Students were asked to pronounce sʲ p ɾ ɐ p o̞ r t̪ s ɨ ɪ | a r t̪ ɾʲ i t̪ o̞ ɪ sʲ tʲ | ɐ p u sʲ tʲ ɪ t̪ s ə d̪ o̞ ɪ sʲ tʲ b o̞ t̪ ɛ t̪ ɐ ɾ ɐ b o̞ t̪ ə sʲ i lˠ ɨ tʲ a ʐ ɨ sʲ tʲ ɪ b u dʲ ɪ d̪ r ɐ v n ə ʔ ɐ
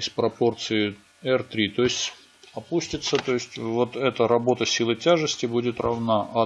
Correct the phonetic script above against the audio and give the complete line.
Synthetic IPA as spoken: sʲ p ɾ ɐ p o̞ r t̪ s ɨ ɪ | ɛ r t̪ ɾʲ i t̪ o̞ ɪ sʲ tʲ | ɐ p u sʲ tʲ ɪ t̪ s ə t̪ o̞ ɪ sʲ tʲ v o̞ t̪ ɛ t̪ ə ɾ ɐ b o̞ t̪ ə sʲ i lˠ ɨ tʲ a ʐ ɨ sʲ tʲ ɪ b u dʲ ɪ t̪ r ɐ v n a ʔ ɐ